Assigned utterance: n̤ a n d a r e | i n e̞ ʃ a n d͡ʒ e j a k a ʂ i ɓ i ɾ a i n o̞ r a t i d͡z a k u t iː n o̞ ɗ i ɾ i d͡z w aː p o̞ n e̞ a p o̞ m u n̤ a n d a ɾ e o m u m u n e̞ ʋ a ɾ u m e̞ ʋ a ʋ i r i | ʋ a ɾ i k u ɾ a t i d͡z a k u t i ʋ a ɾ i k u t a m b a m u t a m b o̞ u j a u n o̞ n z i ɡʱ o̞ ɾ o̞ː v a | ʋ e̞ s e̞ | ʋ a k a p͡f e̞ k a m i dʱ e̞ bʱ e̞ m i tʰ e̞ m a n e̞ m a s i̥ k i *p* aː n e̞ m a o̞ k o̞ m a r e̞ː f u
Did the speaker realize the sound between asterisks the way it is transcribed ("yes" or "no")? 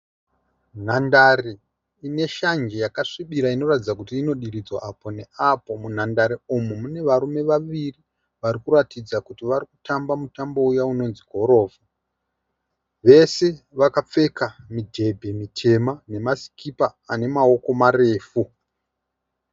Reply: yes